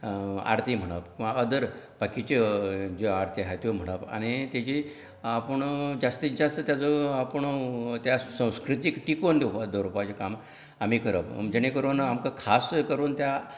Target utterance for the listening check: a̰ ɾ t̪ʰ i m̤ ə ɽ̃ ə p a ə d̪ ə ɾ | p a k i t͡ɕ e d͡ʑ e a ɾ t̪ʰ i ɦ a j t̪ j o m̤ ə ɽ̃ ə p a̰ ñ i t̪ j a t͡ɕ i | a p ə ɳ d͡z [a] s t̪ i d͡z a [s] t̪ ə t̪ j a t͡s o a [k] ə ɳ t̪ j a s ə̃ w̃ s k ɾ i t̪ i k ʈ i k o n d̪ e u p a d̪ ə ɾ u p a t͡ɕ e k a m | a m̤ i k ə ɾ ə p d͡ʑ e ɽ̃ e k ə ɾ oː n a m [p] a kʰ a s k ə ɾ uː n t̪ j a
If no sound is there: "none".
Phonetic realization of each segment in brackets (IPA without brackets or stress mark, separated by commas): a, s, p, k